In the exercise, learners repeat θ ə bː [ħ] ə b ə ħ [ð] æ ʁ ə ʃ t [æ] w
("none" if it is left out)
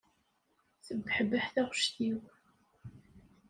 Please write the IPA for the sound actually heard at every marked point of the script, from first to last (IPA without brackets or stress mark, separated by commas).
ħ, θ, i